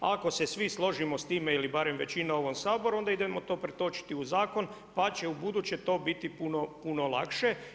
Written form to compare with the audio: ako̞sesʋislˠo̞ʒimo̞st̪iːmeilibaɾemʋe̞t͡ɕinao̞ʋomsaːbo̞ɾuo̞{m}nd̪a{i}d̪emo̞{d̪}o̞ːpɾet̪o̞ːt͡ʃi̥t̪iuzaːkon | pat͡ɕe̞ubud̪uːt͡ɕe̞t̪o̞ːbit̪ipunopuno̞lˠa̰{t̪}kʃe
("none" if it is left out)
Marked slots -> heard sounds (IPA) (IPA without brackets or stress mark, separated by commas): none, i, t̪, none